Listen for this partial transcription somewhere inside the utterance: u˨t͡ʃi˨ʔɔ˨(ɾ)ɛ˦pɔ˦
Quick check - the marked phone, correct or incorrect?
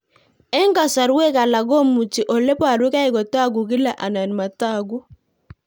incorrect